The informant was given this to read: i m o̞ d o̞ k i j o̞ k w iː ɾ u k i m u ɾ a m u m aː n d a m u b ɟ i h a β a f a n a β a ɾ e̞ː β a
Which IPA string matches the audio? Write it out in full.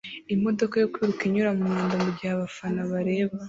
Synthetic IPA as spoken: i m o̞ d o̞ k a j o̞ k w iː ɾ u k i ɲ u ɾ a m u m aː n d a m u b ɟ i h a β a f a n a β a ɾ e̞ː β a